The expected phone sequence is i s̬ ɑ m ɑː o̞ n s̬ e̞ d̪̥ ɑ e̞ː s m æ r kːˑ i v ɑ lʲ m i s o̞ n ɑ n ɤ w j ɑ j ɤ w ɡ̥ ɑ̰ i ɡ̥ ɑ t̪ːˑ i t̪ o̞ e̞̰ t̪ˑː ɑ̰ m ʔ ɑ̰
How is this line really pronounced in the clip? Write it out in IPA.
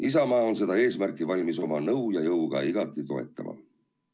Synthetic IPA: i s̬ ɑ m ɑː o̞ n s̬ e̞ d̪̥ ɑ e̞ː s m æ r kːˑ i v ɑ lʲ m i s o̞ m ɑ n ɤ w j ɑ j ɤ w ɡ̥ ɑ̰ i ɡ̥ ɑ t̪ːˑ i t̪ o̞ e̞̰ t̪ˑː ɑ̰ m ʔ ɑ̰